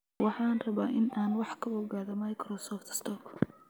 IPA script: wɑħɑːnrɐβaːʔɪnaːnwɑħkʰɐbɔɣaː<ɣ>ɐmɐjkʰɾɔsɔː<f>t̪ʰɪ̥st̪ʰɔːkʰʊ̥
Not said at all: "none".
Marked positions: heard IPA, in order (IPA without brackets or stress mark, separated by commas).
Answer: ð, f